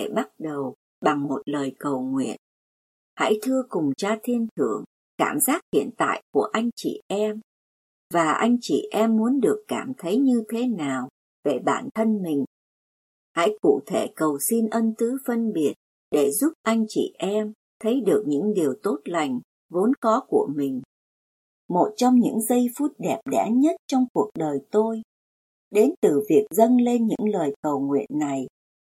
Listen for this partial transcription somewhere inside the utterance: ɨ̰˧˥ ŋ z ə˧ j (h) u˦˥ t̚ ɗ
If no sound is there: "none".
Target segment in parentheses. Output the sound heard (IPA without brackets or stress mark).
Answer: f